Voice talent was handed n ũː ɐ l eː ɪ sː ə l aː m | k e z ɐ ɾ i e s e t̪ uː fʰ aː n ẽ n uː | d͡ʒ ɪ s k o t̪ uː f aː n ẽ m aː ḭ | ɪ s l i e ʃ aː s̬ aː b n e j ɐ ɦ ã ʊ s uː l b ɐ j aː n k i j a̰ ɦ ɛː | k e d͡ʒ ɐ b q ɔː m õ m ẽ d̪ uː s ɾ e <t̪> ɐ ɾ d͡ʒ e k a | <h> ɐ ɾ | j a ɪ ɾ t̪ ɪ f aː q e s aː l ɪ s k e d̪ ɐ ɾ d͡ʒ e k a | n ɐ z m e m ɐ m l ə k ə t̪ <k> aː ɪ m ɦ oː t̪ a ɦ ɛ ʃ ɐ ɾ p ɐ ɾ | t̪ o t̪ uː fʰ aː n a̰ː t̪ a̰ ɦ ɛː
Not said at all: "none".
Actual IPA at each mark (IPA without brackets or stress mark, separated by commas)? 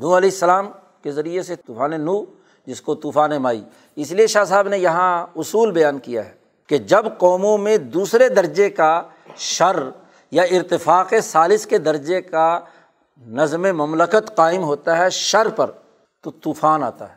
d̪, ʃ, q